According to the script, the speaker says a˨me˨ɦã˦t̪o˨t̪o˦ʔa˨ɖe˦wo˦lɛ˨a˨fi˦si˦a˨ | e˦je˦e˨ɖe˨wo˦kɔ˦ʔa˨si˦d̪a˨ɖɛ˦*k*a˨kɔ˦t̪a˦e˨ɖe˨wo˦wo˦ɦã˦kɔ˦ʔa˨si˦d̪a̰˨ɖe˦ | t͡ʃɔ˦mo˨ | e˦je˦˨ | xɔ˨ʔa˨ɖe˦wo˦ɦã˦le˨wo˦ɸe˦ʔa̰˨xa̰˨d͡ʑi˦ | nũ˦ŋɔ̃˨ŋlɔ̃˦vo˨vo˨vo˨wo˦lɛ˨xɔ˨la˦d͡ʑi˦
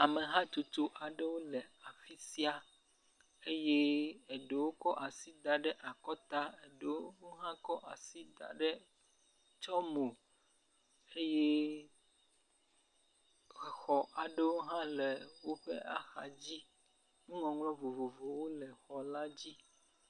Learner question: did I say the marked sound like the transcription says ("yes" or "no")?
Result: no